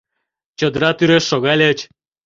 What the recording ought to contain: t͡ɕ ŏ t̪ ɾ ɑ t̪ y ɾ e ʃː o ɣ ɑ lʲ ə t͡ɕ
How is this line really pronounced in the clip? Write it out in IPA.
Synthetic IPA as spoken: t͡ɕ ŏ d̪ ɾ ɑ t̪ y ɾ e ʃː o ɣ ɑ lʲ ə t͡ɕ